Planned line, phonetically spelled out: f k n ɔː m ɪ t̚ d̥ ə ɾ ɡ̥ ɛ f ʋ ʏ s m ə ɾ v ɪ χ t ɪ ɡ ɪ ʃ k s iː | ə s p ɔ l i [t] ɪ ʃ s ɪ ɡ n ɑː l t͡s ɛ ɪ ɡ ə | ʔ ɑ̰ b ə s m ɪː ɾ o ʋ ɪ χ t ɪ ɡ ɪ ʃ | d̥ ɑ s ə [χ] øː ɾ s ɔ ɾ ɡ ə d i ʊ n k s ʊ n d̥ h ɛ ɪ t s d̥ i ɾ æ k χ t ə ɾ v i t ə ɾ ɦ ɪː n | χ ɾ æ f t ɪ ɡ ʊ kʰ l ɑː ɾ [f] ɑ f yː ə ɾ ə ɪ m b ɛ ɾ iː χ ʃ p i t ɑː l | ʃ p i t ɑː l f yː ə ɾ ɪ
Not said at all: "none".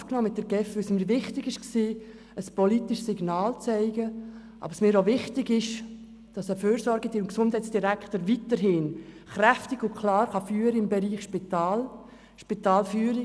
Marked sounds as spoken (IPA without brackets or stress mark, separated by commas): t, f, χ